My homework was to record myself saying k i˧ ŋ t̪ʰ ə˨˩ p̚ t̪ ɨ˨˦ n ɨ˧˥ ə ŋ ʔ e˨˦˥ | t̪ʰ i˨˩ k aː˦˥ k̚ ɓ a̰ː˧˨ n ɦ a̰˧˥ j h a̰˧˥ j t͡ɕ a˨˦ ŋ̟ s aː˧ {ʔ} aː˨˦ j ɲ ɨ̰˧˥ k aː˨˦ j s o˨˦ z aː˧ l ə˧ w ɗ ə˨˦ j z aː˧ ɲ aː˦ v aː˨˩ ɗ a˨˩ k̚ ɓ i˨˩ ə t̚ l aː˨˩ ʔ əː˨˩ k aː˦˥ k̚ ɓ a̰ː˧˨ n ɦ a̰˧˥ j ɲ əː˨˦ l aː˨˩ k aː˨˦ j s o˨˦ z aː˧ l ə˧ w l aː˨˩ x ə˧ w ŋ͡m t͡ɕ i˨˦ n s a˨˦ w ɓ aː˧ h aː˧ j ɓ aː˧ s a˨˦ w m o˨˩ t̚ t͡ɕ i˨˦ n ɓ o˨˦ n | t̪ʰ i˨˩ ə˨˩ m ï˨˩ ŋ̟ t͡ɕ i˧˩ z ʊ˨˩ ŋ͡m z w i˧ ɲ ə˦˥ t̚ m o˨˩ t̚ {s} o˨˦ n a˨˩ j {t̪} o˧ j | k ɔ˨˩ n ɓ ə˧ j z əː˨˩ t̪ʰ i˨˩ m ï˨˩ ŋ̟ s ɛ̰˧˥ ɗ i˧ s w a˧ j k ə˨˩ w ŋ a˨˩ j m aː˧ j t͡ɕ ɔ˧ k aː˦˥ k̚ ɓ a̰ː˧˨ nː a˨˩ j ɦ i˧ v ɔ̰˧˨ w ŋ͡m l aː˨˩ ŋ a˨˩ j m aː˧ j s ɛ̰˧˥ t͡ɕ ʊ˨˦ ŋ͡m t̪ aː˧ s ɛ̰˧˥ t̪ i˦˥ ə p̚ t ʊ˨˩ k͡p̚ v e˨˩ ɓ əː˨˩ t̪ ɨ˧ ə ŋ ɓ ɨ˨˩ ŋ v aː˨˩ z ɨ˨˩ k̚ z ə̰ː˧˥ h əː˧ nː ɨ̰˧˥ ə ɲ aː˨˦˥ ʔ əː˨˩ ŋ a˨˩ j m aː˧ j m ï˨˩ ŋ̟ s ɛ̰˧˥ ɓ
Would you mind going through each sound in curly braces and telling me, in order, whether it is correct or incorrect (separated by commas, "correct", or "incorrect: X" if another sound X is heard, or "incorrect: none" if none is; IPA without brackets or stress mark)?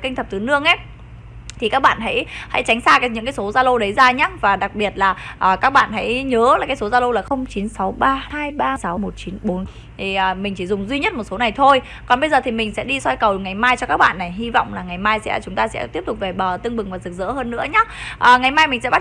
incorrect: k, correct, incorrect: t̪ʰ